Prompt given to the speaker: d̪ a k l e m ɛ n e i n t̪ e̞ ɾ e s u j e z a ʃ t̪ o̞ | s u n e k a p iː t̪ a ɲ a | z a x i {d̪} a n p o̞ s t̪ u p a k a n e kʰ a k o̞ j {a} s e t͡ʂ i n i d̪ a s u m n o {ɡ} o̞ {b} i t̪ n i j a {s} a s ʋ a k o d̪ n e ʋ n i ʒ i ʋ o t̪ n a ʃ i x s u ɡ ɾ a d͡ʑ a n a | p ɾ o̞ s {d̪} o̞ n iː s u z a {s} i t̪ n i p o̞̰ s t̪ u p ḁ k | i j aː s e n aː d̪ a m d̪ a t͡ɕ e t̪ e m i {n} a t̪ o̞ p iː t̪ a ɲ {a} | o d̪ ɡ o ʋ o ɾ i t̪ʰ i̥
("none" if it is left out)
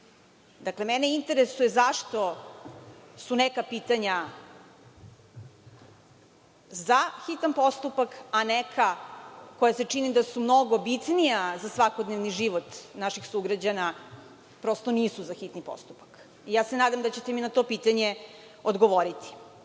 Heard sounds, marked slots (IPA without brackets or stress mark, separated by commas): t̪, a, ɡ, b, z, t̪, x, n, e